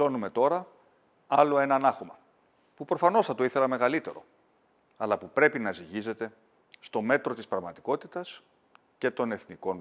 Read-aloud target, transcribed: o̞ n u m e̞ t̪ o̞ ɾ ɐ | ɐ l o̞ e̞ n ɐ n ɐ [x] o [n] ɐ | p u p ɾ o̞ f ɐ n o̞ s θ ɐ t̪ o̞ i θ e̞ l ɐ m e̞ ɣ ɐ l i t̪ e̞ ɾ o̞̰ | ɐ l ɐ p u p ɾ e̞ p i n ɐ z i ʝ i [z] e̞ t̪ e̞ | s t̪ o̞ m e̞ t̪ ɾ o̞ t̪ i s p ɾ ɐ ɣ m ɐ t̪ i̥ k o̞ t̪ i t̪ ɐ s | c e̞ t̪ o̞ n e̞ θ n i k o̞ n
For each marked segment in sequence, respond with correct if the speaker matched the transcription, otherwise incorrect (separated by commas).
correct, incorrect, correct